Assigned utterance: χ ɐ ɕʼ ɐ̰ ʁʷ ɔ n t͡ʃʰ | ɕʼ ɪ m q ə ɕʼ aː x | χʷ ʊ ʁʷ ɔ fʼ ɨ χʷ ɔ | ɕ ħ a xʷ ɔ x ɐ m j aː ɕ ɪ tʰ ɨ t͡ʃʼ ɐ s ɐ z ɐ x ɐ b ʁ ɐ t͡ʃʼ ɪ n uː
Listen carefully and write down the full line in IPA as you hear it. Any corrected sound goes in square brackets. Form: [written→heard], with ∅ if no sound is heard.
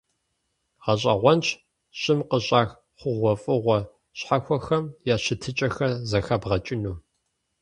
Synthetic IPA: [χ→ʁ] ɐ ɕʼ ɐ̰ ʁʷ ɔ n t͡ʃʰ | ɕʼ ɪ m q ə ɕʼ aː x | χʷ ʊ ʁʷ ɔ fʼ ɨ [χʷ→ʁʷ] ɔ | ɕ ħ a xʷ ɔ x ɐ m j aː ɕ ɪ tʰ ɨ t͡ʃʼ ɐ [s→x] ɐ z ɐ x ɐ b ʁ ɐ t͡ʃʼ ɪ n uː

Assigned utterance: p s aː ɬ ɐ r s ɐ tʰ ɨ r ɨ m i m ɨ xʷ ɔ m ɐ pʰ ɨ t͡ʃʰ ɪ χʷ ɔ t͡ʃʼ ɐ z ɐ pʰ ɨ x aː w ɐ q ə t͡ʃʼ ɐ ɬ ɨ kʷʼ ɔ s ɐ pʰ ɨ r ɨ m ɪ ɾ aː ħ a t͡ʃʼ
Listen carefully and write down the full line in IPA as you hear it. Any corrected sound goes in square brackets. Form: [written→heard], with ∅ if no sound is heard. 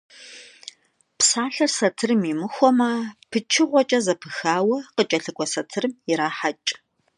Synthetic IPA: p s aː ɬ ɐ r s ɐ tʰ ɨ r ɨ m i m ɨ xʷ ɔ m ɐ pʰ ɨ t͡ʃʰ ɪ [χʷ→ʁʷ] ɔ t͡ʃʼ ɐ z ɐ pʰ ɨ x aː w ɐ q ə t͡ʃʼ ɐ ɬ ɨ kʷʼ ɔ s ɐ [pʰ→tʰ] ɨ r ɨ m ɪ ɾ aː ħ a t͡ʃʼ

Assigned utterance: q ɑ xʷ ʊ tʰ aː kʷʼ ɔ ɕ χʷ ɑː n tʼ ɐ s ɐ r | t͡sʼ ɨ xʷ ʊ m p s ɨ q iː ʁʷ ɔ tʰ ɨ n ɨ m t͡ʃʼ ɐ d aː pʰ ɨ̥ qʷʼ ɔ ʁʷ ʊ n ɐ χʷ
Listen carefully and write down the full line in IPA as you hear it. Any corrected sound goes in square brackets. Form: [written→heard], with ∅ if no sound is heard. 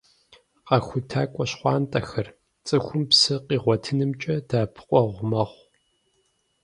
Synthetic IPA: q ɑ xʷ ʊ tʰ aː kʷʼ ɔ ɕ χʷ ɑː n tʼ ɐ [s→x] ɐ r | t͡sʼ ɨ xʷ ʊ m p s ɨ q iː ʁʷ ɔ tʰ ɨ n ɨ m t͡ʃʼ ɐ d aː pʰ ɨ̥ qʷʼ ɔ ʁʷ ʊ [n→m] ɐ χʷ

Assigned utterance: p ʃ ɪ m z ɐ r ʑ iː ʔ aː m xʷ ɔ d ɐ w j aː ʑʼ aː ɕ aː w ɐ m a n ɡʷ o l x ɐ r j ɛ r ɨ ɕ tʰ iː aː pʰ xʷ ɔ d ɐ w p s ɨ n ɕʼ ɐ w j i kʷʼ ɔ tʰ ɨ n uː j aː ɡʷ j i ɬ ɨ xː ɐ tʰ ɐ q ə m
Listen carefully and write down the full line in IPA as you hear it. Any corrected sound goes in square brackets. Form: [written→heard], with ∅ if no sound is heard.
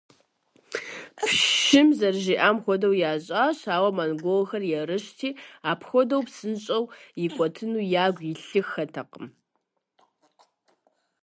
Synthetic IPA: p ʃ ɪ m z ɐ r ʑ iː ʔ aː m xʷ ɔ d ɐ w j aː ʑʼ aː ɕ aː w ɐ m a n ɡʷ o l x ɐ r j ɛ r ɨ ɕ tʰ iː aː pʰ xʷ ɔ d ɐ w p s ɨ n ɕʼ ɐ w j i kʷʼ ɔ tʰ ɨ n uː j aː ɡʷ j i ɬ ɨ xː ɐ tʰ ɐ q ə m

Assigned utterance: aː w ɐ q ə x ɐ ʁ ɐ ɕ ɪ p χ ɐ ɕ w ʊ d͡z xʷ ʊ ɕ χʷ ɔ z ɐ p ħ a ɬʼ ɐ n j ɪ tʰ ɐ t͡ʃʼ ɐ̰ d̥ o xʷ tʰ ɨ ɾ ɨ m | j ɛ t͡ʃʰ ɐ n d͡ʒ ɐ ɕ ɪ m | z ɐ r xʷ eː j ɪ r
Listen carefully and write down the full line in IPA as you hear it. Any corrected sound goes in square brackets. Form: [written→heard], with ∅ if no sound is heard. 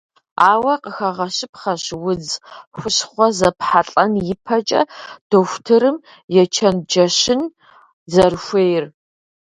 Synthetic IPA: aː w ɐ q ə x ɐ ʁ ɐ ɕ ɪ p χ ɐ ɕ w ʊ d͡z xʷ ʊ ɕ χʷ ɔ z ɐ p ħ a ɬʼ ɐ n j ɪ [tʰ→pʰ] ɐ t͡ʃʼ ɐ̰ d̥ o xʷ tʰ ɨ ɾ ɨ m | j ɛ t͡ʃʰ ɐ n d͡ʒ ɐ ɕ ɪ [m→n] | z ɐ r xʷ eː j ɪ r

